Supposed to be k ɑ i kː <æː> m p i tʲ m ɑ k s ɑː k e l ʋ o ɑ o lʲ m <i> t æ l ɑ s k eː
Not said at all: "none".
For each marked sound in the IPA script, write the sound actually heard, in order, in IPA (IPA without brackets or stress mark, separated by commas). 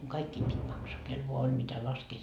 iː, i